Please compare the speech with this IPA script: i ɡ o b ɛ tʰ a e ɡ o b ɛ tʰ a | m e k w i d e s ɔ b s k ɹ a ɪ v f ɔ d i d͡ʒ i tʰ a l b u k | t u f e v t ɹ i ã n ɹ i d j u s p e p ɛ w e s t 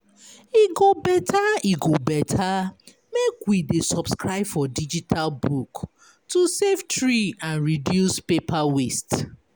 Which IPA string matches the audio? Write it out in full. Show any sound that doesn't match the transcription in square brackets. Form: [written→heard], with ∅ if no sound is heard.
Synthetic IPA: i ɡ o b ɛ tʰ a [e→i] ɡ o b ɛ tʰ a | m e k w i d e s ɔ b s k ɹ a ɪ [v→b] f ɔ d i d͡ʒ i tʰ a l b u k | t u [f→s] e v t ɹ i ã n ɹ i d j u s p e p [ɛ→a] w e s t